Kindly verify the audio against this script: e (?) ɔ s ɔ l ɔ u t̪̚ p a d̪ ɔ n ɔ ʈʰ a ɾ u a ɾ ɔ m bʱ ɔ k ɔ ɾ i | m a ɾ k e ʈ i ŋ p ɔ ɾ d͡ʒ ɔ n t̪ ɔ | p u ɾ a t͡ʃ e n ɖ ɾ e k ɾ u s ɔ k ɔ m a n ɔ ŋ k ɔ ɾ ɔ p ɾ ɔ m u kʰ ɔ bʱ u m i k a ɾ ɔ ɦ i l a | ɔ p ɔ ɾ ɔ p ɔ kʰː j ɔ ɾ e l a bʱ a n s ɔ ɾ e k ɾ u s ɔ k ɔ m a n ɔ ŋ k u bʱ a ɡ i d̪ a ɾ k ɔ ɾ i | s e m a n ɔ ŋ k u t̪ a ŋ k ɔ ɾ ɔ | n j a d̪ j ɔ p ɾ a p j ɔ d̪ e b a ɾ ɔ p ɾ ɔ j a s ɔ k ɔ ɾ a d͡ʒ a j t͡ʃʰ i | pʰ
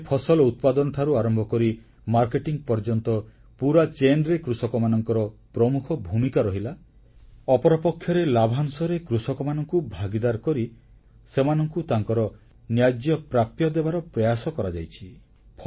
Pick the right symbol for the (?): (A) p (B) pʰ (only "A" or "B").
B